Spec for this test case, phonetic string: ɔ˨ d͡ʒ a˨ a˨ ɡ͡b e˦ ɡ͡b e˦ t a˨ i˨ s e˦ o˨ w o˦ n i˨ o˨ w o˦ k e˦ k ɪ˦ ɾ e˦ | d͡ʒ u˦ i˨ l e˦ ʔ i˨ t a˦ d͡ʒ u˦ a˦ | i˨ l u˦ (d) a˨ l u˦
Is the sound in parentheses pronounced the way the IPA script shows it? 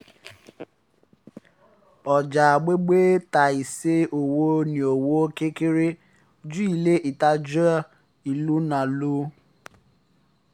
no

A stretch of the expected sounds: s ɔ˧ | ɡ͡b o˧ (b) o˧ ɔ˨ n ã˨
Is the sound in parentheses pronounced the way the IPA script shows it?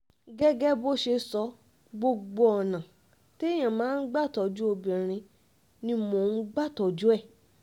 no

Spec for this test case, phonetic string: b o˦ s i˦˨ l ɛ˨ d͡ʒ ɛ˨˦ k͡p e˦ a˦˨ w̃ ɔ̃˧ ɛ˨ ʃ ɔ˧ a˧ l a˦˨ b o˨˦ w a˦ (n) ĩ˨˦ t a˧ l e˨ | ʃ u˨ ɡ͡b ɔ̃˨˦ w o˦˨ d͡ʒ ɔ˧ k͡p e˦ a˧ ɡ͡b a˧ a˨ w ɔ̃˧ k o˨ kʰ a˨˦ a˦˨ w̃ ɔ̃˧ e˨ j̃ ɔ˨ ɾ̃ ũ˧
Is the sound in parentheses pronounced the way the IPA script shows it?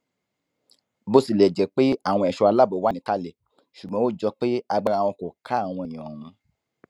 yes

